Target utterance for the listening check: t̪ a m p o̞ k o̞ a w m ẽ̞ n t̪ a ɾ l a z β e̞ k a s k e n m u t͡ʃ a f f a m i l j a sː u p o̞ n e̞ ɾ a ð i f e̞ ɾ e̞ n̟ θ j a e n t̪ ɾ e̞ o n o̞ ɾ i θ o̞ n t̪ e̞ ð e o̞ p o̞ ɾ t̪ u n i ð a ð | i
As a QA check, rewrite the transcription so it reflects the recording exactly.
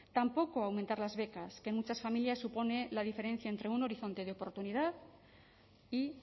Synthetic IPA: t̪ a m p o̞ k o̞ a w m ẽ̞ n t̪ a ɾ l a z β e̞ k a s k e n m u t͡ʃ a s f a m i l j a sː u p o̞ n e̞ l a ð i f e̞ ɾ e̞ n̟ θ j a e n t̪ ɾ e̞ u n o̞ ɾ i θ o̞ n t̪ e̞ ð e o̞ p o̞ ɾ t̪ u n i ð a ð | i